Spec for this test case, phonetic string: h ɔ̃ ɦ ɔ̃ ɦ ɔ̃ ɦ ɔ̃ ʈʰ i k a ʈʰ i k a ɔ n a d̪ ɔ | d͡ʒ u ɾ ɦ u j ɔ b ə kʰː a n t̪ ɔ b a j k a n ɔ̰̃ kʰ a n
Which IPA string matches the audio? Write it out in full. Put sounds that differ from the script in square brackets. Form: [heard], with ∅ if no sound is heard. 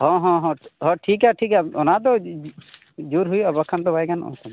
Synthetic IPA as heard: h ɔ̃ ɦ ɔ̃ ɦ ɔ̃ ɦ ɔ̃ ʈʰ i k a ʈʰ i k a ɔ n a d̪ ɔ | d͡ʒ u ɾ ɦ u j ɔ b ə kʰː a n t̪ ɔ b a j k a n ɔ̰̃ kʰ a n